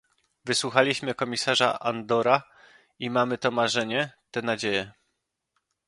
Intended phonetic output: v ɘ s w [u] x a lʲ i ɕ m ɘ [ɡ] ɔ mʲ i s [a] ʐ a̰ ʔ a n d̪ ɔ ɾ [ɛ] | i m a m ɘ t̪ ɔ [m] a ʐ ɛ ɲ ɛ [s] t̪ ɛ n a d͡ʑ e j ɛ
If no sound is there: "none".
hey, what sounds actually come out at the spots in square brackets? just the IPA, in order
u, k, a, a, m, none

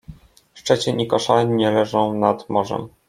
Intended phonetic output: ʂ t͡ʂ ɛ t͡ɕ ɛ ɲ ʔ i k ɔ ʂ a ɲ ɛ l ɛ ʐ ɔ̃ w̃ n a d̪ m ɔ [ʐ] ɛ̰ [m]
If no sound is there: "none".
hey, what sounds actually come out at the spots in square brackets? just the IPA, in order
ʐ, m

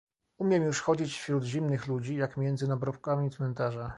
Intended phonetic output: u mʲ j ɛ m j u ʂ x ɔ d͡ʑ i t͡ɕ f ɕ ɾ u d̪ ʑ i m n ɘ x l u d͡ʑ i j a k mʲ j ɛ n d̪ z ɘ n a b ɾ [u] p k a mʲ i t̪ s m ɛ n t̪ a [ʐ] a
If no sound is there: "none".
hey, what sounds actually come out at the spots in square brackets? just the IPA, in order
ɔ, ʐ

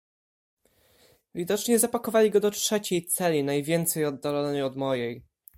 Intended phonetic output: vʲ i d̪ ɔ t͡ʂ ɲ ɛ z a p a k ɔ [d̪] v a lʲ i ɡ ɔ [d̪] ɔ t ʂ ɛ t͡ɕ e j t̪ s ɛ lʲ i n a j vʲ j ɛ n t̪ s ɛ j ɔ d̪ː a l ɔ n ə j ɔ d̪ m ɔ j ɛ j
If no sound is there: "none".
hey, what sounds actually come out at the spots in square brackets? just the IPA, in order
none, d̪

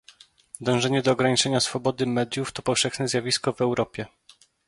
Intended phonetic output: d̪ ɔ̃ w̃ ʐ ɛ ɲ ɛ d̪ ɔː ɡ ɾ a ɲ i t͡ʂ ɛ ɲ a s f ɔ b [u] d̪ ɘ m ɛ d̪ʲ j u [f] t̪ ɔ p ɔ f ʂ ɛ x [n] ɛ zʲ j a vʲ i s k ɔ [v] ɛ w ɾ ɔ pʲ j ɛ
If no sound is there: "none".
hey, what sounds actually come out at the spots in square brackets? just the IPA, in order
ɔ, f, n, v

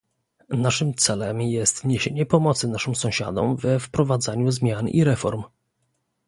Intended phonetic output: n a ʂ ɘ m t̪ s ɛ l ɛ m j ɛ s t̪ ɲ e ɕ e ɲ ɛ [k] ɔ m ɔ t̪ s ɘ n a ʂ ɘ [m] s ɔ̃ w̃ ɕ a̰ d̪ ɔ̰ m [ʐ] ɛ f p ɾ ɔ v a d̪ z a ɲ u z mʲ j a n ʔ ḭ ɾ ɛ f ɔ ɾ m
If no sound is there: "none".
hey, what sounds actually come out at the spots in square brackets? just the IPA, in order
p, m, v

